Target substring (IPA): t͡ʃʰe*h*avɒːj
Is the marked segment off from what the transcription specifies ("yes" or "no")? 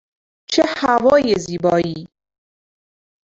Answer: no